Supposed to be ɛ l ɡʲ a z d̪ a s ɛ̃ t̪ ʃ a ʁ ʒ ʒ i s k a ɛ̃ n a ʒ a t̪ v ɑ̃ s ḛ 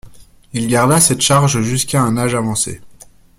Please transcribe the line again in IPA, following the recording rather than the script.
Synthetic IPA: i l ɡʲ a ʁ d̪ a s ɛ t̪ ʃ a ʁ ʒ ʒ y s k a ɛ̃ n a ʒ a v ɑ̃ s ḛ